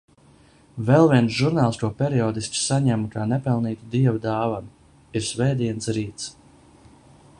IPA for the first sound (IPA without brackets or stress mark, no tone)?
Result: v